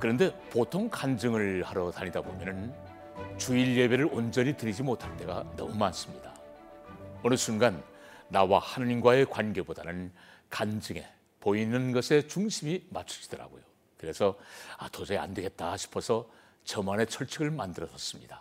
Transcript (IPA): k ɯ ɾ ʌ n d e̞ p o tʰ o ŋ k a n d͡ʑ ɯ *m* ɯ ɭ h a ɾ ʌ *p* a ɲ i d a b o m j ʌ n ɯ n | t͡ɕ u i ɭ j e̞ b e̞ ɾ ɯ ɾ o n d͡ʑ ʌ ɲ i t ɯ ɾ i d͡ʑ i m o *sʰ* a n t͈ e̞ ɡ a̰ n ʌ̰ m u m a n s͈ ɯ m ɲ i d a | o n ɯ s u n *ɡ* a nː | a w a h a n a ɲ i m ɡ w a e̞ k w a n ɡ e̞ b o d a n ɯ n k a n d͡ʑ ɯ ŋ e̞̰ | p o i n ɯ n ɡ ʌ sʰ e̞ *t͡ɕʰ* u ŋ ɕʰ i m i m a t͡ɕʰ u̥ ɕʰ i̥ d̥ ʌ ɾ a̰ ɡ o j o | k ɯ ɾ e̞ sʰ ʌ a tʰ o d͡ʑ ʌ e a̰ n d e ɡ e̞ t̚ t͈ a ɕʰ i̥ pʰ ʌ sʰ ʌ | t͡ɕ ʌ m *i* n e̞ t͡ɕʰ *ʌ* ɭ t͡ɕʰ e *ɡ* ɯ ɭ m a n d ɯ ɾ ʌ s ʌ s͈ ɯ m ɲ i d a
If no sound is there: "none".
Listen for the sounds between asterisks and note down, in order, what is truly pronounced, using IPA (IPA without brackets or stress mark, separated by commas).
ŋ, t, tʰ, ɡ, t͡ɕ, a, ʌ, ɡ